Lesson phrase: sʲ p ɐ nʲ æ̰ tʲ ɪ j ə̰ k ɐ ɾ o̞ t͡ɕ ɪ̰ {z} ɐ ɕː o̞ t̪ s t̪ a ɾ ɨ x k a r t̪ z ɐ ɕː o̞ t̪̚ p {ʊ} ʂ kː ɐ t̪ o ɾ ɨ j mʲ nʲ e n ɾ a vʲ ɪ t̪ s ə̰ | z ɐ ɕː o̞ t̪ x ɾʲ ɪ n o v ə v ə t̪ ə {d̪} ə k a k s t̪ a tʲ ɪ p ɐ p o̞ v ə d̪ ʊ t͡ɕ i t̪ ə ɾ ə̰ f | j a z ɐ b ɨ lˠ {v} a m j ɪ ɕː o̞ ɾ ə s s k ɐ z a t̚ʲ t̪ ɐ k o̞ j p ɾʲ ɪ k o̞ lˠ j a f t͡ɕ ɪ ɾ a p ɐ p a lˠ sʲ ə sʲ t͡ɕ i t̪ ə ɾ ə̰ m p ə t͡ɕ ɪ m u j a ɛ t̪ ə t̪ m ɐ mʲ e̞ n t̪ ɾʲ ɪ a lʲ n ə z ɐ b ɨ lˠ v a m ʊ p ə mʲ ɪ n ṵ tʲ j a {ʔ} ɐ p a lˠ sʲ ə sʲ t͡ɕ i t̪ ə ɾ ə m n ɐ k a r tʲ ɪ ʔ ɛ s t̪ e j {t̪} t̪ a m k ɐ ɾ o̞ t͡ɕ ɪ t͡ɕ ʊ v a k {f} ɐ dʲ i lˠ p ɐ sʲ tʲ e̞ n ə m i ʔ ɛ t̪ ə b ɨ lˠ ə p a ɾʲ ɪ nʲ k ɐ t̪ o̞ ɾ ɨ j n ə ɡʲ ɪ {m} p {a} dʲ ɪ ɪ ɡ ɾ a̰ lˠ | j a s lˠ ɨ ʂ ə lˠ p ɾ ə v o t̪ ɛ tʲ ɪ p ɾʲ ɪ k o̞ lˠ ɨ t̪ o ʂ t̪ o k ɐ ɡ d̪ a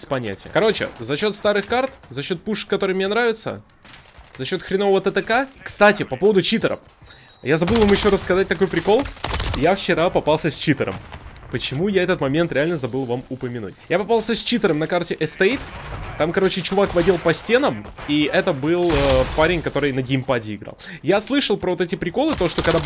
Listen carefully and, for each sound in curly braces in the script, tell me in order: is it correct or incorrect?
correct, incorrect: u, incorrect: t̪, correct, incorrect: p, correct, incorrect: v, correct, correct

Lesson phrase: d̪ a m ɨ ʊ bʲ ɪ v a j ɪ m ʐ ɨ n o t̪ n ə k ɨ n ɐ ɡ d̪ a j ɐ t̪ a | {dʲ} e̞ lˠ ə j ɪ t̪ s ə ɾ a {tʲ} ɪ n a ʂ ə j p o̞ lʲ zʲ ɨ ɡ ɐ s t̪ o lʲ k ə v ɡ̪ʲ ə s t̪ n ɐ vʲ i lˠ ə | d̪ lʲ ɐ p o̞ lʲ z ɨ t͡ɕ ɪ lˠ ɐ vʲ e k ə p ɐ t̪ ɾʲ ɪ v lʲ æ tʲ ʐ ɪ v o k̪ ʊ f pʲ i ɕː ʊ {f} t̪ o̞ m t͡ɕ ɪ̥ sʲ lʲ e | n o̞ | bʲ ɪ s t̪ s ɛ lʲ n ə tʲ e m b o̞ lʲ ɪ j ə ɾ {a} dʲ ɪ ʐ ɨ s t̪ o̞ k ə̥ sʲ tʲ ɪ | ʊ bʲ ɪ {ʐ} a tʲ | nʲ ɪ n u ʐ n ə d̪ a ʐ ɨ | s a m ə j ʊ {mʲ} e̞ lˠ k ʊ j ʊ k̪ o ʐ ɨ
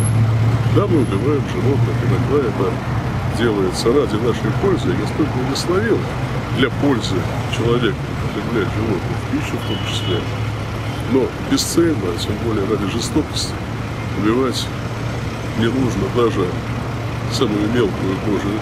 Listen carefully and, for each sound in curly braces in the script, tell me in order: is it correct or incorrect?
correct, incorrect: dʲ, correct, correct, incorrect: v, correct

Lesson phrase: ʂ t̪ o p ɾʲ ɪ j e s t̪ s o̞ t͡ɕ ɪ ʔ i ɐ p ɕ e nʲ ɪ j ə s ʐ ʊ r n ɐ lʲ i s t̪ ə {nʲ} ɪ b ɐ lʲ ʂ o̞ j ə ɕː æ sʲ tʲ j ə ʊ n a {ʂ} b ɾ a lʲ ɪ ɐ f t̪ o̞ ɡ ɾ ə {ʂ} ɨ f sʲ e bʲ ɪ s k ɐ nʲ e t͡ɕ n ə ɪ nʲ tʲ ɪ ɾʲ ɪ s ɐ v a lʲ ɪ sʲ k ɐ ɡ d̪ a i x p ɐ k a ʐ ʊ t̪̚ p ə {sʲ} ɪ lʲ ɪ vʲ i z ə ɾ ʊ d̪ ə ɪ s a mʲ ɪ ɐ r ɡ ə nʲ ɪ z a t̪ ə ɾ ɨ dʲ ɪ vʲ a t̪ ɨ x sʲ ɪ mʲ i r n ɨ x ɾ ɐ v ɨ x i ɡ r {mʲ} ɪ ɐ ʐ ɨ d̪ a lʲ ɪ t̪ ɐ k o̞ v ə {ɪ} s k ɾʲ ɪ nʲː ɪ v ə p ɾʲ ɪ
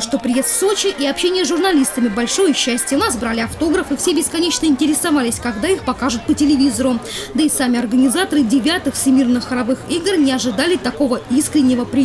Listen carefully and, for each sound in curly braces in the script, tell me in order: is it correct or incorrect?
incorrect: mʲ, incorrect: s, incorrect: f, incorrect: tʲ, incorrect: nʲ, incorrect: i

